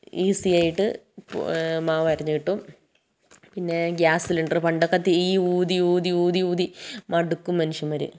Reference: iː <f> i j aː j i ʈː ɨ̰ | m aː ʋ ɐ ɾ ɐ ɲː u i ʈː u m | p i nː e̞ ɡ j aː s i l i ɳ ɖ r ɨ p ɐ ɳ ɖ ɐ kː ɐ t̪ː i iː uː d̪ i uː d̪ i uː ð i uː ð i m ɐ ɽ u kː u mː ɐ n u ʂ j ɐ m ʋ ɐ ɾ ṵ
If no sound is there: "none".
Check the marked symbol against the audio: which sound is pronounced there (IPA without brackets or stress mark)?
s